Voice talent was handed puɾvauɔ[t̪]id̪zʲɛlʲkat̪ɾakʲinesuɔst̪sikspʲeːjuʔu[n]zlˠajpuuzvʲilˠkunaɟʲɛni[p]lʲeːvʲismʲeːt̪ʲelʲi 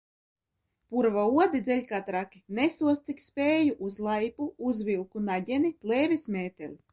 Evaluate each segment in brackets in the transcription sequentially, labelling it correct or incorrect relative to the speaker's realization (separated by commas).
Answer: incorrect, incorrect, correct